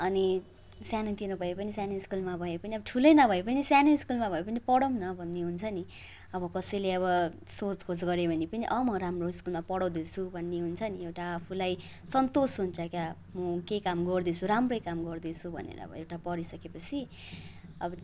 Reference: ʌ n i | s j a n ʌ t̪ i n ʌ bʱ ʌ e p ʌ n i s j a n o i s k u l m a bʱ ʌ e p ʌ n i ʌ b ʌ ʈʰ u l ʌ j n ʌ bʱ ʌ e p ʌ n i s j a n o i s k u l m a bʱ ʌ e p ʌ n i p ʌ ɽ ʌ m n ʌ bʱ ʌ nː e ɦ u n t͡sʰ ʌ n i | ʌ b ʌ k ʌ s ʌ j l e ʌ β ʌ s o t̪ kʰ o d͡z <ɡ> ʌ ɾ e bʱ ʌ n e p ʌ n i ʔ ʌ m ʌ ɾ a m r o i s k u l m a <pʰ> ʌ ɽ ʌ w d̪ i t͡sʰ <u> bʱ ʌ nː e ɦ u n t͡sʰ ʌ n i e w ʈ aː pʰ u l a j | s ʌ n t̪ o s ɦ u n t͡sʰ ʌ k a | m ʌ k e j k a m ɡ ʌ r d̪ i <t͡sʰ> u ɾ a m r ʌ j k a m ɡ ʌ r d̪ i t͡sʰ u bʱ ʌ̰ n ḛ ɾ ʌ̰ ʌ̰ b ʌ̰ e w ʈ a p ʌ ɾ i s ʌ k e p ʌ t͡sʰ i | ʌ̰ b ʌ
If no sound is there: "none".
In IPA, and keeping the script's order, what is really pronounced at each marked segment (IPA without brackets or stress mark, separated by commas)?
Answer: ɡ, p, u, t͡sʰ